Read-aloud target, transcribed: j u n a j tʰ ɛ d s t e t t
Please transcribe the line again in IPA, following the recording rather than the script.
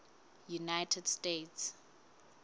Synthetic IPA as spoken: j u n a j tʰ ɛ d s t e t s